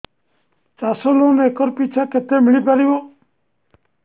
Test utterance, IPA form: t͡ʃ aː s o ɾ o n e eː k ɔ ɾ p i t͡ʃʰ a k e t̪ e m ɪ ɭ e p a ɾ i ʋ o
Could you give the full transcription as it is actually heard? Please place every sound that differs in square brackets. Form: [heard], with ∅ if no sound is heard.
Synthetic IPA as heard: t͡ʃ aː s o [l] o n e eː k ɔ ɾ p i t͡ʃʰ a k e t̪ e m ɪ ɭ [i] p a ɾ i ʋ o